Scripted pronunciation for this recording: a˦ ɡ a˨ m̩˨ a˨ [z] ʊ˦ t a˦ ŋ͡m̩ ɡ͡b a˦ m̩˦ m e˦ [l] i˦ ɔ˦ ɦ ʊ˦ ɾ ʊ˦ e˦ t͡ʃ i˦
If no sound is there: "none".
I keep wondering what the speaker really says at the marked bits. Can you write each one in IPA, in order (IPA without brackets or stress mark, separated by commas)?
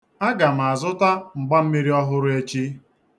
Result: z, ɾ